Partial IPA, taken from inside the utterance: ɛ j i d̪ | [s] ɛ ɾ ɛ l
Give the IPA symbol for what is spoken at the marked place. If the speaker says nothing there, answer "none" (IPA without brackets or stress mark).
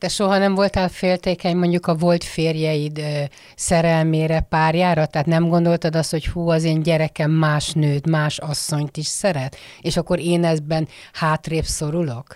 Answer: s